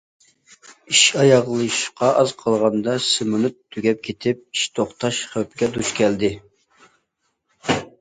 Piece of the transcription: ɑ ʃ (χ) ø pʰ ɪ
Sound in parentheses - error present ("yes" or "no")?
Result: no